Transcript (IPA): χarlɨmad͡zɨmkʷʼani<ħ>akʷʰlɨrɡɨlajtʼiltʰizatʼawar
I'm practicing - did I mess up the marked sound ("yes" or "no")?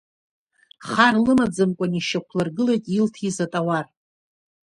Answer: yes